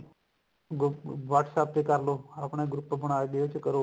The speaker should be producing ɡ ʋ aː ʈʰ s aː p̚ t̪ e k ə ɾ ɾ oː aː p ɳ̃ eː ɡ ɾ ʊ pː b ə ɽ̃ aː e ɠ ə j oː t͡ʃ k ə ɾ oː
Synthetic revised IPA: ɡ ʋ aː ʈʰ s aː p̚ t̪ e k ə ɾ l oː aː p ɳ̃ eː ɡ ɾ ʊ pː b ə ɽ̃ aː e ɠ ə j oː t͡ʃ k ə ɾ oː